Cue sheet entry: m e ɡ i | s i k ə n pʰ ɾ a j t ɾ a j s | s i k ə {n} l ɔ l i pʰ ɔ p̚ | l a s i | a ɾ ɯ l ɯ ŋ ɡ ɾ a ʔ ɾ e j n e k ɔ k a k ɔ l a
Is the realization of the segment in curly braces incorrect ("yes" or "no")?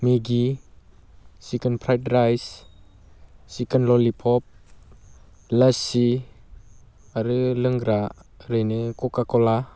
no